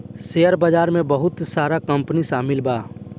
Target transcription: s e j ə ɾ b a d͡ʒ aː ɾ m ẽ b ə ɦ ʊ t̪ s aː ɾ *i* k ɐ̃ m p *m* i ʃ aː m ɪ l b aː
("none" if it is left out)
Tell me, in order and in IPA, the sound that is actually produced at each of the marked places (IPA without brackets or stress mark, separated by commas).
a, n